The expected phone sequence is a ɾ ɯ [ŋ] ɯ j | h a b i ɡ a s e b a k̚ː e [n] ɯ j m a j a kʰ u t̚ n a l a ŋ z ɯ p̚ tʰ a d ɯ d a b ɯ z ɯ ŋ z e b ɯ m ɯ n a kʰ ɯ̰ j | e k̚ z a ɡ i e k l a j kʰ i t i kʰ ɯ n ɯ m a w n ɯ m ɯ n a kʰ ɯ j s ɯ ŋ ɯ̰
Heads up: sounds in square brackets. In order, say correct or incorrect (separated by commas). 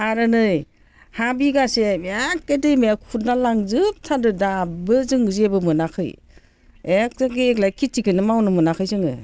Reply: incorrect, incorrect